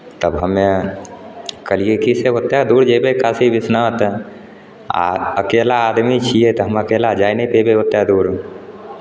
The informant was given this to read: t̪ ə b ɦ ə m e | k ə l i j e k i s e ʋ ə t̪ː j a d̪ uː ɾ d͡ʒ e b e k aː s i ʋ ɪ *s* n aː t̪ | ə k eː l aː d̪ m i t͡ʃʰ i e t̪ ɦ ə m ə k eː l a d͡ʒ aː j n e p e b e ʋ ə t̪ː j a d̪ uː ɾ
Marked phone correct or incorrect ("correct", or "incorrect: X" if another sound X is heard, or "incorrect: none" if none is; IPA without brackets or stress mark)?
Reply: correct